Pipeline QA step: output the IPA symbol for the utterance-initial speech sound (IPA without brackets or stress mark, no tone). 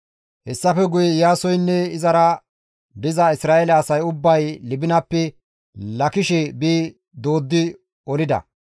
h